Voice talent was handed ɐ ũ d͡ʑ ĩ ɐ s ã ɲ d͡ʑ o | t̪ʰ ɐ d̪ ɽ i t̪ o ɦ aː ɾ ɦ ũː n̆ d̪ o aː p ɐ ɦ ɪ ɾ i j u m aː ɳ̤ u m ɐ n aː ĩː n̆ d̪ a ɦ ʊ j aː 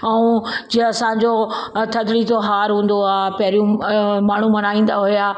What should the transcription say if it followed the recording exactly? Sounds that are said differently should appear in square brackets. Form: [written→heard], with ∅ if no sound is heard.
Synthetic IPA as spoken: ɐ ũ d͡ʑ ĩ ɐ s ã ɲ d͡ʑ o | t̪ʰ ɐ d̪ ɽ i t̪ o ɦ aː ɾ ɦ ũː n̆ d̪ o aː p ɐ ɦ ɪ ɾ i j [u→ũ] m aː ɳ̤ u m ɐ n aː ĩː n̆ d̪ a ɦ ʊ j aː